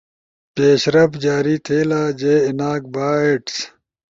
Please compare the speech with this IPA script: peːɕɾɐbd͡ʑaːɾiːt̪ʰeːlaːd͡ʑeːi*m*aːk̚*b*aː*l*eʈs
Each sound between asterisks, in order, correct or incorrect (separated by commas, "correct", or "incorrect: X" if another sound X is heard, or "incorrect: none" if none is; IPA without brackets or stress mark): incorrect: n, correct, incorrect: none